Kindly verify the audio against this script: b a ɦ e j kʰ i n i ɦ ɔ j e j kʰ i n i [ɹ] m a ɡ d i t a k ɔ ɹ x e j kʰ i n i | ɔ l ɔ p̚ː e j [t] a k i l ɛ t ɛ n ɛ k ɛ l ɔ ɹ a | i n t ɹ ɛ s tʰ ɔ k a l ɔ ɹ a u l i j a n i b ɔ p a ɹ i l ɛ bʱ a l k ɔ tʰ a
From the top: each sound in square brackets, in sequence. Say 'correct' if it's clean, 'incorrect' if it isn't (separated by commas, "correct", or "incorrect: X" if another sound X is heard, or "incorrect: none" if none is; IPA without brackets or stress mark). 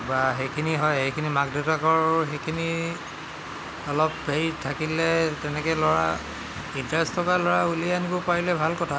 incorrect: none, incorrect: tʰ